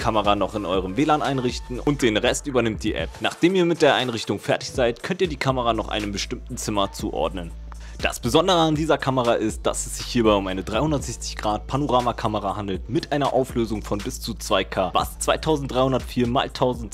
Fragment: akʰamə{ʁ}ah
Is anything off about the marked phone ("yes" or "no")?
no